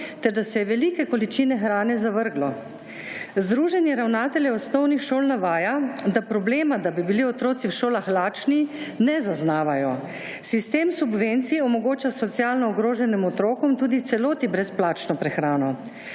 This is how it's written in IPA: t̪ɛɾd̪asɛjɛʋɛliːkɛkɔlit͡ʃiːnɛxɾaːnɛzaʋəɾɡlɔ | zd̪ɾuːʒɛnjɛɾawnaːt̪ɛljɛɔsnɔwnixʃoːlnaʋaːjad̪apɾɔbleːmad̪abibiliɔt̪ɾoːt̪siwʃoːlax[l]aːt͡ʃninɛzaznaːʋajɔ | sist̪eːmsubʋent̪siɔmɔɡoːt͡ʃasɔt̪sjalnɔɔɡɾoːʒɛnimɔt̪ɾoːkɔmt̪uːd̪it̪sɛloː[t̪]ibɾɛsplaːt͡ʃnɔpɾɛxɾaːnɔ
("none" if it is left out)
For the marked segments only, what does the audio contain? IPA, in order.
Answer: l, t̪

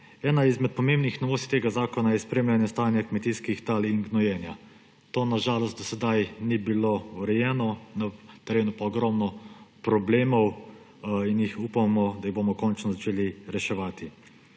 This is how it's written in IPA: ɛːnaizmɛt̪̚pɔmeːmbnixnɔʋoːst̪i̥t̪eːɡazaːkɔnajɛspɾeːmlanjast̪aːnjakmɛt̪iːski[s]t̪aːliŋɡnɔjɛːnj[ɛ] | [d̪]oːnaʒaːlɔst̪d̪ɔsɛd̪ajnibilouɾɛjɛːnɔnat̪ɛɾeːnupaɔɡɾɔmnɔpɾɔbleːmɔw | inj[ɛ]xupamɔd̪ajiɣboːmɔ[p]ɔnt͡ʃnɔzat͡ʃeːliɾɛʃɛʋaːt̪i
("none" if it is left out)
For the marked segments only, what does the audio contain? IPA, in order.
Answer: x, a, t̪, i, k

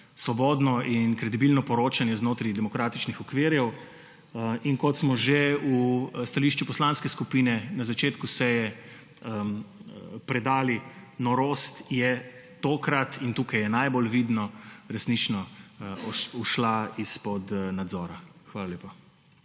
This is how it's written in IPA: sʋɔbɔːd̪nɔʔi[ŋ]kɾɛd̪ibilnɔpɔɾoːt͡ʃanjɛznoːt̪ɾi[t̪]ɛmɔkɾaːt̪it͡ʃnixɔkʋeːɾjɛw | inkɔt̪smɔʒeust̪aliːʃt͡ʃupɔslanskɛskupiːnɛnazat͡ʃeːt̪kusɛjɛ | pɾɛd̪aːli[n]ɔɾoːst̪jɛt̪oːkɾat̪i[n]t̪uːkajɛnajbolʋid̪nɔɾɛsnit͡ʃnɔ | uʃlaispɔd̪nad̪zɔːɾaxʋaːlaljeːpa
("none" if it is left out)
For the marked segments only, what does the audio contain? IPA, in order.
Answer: n, d̪, n, n

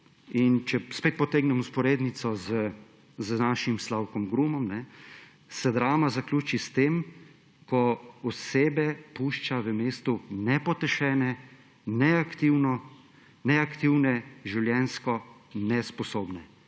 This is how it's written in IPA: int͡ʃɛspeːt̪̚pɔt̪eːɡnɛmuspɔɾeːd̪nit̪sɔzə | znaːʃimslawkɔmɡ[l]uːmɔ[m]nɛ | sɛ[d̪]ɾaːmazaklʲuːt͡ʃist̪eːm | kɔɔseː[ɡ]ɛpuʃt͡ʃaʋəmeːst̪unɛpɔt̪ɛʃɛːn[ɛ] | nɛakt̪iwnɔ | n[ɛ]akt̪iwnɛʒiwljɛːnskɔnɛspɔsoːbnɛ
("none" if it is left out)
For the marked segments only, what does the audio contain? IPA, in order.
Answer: ɾ, m, d̪, b, ɛ, ɛ

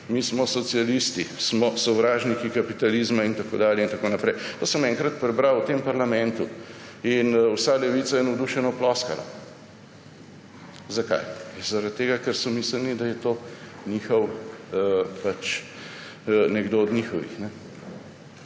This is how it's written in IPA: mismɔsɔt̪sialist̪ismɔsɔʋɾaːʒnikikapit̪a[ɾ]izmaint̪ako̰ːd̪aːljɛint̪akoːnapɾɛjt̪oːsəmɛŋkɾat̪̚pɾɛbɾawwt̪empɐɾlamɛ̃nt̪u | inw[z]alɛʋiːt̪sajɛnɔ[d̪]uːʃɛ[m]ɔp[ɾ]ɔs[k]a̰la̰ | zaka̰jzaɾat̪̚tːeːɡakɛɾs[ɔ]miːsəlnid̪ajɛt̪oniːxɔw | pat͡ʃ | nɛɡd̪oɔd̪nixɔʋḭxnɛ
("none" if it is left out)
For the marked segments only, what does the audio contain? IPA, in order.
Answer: l, s, d̪, n, l, k, ɔ

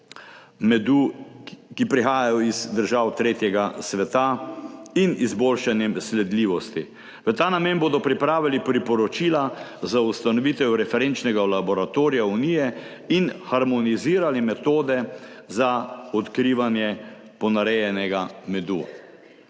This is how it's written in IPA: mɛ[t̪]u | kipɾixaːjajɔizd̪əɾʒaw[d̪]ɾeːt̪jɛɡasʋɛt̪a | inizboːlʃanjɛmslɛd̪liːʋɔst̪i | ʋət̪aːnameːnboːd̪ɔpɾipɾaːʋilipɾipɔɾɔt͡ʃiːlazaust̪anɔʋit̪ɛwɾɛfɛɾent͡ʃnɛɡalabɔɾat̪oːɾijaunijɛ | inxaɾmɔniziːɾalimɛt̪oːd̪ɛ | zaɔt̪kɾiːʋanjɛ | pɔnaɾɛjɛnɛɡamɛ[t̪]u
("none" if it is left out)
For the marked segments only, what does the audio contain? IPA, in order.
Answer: d̪, t̪, d̪

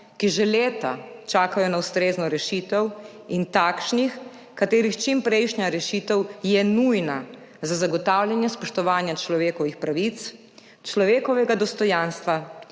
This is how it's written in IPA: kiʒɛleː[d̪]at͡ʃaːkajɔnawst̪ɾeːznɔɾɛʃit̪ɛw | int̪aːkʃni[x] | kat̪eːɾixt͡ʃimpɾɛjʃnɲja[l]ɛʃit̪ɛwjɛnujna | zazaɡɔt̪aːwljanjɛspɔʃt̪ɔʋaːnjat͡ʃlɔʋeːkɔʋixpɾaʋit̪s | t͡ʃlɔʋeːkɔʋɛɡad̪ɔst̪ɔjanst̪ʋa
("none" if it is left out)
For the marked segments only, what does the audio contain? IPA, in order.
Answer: t̪, x, ɾ

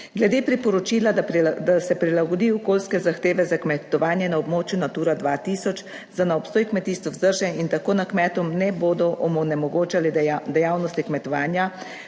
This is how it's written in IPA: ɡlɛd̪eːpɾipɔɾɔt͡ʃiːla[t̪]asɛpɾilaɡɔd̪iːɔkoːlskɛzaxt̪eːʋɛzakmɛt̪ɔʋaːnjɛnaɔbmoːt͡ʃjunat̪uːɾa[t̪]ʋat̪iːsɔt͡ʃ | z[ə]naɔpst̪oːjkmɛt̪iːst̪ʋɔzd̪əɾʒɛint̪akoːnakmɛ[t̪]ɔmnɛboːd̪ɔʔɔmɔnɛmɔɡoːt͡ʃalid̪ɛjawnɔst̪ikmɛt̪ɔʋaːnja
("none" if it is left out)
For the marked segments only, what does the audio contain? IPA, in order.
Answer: d̪, d̪, a, t̪

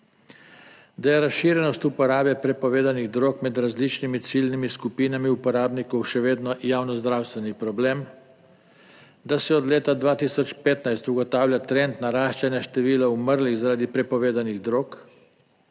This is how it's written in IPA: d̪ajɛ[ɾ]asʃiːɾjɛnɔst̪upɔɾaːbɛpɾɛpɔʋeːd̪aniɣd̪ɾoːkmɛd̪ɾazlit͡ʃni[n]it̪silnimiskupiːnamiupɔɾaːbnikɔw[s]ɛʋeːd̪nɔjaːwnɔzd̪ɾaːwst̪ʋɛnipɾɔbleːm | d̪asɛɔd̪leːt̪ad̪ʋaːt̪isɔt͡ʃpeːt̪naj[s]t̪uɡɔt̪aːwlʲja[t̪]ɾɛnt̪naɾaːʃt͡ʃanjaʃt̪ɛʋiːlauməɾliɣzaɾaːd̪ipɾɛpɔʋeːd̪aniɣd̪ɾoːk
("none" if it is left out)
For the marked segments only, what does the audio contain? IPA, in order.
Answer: ɾ, m, ʃ, s, t̪

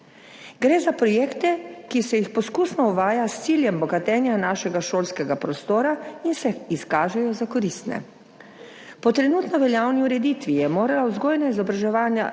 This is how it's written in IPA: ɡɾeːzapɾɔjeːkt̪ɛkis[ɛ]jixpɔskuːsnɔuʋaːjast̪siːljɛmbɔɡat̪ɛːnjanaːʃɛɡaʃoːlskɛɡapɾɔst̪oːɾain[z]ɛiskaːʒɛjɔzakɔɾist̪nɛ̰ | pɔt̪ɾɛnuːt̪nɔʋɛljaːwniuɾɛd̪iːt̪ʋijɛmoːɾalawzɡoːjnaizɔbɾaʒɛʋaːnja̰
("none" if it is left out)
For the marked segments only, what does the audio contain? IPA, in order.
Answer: ɛ, s

